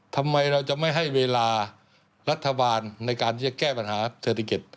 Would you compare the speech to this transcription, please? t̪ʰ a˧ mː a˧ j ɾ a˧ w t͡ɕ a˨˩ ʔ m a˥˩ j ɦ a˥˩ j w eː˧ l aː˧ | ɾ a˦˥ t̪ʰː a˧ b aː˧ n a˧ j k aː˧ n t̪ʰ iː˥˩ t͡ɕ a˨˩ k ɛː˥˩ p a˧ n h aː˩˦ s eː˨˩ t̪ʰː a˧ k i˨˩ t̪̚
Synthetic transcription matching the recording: t̪ʰ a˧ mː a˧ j ɾ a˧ w t͡ɕ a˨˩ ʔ m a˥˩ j ɦ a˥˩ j w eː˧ l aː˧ | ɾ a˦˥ t̪ʰː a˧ b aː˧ nː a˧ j k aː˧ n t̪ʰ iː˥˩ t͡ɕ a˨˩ k ɛː˥˩ p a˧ n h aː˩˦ s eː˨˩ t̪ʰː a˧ k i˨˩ t̪̚